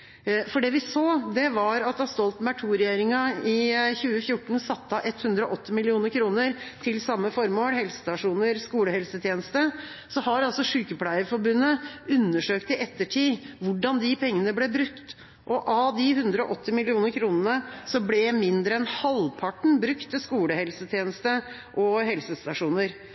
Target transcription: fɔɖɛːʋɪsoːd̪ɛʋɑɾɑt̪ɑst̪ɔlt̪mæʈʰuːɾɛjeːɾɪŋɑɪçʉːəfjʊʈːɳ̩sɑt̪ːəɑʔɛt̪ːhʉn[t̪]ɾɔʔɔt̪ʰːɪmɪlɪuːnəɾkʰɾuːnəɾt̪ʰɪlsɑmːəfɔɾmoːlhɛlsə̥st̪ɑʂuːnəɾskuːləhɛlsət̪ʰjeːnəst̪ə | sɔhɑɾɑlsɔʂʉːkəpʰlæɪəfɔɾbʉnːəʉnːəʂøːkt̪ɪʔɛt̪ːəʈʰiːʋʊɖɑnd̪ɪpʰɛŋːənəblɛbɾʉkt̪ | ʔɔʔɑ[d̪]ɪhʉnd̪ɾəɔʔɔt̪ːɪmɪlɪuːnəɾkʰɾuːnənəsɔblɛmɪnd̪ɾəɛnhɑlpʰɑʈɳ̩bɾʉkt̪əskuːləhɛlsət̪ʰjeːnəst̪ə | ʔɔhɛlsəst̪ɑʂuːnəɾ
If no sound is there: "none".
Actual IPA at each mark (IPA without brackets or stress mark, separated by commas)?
d̪, d̪